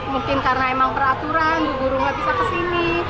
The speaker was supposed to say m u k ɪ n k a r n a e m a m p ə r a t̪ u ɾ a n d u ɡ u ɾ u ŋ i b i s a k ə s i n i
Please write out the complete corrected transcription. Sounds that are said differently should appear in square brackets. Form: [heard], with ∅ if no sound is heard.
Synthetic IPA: m u k ɪ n k a r n a e m a [ŋ] p ə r a t̪ u ɾ a n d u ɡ u ɾ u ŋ [a] b i s a k ə s i n i